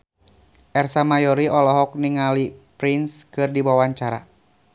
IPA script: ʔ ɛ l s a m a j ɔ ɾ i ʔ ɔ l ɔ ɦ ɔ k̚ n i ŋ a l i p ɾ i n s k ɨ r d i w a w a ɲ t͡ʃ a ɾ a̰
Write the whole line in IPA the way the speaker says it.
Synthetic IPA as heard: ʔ ɛ r s a m a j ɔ ɾ i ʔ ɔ l ɔ ɦ ɔ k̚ n i ŋ a l i p ɾ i n s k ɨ r d i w a w a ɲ t͡ʃ a ɾ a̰